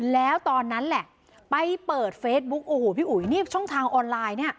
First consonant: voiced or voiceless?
voiced